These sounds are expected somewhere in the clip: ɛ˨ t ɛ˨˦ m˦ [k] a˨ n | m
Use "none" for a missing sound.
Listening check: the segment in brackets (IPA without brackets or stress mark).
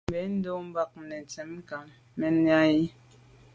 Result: k